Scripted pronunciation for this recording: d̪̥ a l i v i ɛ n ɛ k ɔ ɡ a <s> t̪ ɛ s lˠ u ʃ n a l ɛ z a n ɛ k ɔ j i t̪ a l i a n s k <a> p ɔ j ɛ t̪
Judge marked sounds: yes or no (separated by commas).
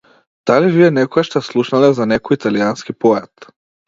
no, no